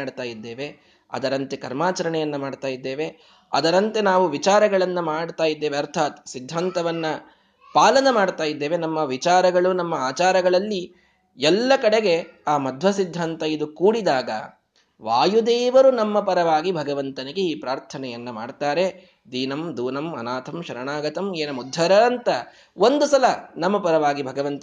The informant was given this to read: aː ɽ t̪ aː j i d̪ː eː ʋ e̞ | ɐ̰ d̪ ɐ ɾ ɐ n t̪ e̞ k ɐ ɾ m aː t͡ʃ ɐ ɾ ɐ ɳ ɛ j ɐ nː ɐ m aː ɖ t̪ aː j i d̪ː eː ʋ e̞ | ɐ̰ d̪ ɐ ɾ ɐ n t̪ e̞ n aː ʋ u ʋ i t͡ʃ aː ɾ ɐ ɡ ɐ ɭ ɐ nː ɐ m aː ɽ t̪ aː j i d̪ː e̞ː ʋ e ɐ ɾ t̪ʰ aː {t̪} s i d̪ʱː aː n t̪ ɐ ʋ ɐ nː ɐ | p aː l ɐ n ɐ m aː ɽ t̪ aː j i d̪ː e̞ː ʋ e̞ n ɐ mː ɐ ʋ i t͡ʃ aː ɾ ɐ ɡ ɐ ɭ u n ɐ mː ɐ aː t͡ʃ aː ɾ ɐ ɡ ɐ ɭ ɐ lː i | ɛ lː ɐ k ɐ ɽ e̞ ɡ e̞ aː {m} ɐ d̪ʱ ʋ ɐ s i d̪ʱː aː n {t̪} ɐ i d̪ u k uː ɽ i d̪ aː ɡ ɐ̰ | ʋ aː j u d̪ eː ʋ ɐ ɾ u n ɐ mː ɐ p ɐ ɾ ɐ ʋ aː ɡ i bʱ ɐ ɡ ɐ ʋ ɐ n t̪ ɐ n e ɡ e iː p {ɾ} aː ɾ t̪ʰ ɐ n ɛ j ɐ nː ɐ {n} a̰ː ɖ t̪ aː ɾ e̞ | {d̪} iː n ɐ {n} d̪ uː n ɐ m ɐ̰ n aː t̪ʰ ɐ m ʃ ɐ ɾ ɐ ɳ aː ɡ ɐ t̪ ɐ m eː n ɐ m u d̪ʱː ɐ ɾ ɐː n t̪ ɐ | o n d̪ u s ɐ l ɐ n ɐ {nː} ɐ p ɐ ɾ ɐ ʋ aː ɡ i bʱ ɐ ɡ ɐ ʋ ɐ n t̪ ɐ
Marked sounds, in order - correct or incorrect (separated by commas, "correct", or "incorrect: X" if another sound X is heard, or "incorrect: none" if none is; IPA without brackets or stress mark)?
correct, correct, correct, correct, incorrect: m, correct, incorrect: m, incorrect: mː